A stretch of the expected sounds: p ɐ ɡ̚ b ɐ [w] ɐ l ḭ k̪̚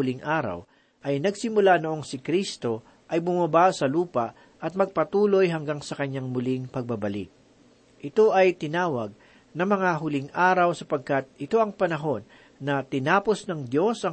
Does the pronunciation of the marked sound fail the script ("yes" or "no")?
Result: yes